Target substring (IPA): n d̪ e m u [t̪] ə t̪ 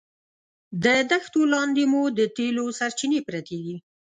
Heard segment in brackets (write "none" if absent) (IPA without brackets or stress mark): d̪